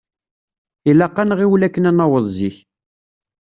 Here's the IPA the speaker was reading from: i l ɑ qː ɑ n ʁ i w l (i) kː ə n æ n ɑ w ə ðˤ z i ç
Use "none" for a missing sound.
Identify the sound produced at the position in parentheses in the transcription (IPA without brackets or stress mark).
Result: æ